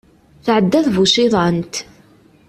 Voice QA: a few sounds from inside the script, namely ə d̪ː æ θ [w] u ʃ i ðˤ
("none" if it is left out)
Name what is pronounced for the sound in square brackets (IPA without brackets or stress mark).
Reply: v